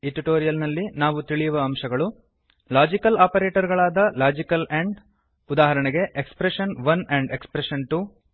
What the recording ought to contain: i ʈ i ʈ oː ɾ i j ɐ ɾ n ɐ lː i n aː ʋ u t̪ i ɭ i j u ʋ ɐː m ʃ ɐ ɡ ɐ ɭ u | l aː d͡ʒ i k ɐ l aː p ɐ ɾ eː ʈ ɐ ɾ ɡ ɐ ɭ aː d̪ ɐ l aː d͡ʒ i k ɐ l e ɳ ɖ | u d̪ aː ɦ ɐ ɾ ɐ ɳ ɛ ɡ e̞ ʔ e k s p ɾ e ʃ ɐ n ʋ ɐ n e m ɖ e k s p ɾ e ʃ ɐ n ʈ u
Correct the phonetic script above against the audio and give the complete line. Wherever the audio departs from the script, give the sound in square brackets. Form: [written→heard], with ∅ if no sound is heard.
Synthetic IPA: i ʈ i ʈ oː ɾ i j ɐ [ɾ→l] n ɐ lː i n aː ʋ u t̪ i ɭ i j u ʋ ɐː m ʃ ɐ ɡ ɐ ɭ u | l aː d͡ʒ i k ɐ l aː p ɐ ɾ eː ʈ ɐ ɾ ɡ ɐ ɭ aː d̪ ɐ l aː d͡ʒ i k ɐ l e ɳ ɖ | u d̪ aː ɦ ɐ ɾ ɐ ɳ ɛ ɡ e̞ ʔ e k s p ɾ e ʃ ɐ n ʋ ɐ n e [m→ɳ] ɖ e k s p ɾ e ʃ ɐ n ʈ u

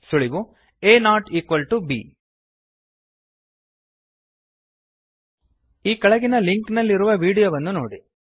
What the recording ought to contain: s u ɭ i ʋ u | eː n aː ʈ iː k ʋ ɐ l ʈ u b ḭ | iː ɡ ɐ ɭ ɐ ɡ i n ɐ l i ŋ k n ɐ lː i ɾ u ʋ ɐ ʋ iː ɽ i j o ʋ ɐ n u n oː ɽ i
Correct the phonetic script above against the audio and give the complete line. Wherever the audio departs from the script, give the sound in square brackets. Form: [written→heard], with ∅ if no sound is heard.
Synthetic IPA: s u ɭ i ʋ u | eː n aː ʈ iː k ʋ ɐ l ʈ u b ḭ | iː [ɡ→k] ɐ ɭ ɐ ɡ i n ɐ l i ŋ k n ɐ lː i ɾ u ʋ ɐ ʋ iː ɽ i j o ʋ ɐ [n→nː] u n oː ɽ i

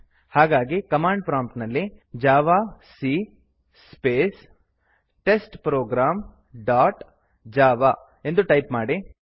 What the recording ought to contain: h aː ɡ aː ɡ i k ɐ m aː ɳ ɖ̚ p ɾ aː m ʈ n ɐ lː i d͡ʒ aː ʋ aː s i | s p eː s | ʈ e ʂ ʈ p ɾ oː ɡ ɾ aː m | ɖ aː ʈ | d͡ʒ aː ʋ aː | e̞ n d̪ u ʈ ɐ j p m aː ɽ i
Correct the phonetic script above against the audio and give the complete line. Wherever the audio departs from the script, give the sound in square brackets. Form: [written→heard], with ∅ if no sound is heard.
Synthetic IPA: h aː ɡ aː ɡ i k ɐ m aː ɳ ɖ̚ p ɾ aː m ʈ n ɐ lː i d͡ʒ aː ʋ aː s i | s p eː s | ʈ e [ʂ→s] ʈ p ɾ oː ɡ ɾ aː m | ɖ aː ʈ | d͡ʒ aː ʋ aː | e̞ n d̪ u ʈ ɐ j p m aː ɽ i

